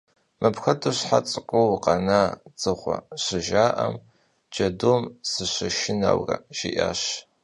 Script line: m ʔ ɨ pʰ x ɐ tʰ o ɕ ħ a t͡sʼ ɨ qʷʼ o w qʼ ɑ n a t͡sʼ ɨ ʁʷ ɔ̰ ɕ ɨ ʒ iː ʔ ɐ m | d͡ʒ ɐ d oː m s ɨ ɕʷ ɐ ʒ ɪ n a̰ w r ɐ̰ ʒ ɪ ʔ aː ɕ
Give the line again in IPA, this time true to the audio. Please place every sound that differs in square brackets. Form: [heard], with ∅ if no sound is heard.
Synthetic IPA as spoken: m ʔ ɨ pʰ x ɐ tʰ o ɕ ħ a t͡sʼ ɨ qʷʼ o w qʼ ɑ n a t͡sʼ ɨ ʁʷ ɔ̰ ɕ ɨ ʒ [aː] ʔ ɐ m | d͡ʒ ɐ d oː m s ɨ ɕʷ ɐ [ʃ] ɪ n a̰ w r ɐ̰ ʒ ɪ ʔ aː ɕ

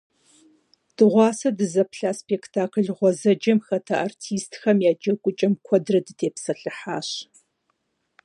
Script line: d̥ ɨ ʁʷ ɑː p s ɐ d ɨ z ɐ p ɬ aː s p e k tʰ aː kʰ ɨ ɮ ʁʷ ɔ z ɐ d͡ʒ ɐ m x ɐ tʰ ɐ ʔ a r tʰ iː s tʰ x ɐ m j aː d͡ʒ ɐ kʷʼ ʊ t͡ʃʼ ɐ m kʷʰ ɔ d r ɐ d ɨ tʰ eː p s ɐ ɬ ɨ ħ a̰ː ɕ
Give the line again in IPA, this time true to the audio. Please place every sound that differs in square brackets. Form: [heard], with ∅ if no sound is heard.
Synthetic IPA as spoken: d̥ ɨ ʁʷ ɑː [∅] s ɐ d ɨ z ɐ p ɬ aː s p e k tʰ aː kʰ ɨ ɮ ʁʷ ɔ z ɐ d͡ʒ ɐ m x ɐ tʰ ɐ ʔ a r tʰ iː s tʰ x ɐ m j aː d͡ʒ ɐ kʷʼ ʊ t͡ʃʼ ɐ m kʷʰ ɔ d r ɐ d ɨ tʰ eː p s ɐ ɬ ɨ ħ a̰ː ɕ

